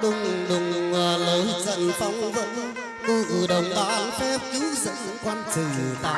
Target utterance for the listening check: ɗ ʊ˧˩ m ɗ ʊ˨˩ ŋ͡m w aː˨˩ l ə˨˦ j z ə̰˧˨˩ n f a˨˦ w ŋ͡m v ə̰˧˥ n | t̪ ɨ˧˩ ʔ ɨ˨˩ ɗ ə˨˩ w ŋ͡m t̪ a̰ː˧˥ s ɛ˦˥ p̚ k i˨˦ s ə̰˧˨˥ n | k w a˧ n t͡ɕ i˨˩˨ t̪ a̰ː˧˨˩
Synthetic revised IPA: ɗ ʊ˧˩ ŋ͡m ɗ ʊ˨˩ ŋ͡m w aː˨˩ l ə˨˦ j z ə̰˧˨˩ n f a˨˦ w ŋ͡m v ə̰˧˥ n | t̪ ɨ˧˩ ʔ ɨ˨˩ ɗ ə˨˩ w ŋ͡m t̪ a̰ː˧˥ f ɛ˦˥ p̚ k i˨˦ z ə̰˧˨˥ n | k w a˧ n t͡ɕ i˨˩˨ t̪ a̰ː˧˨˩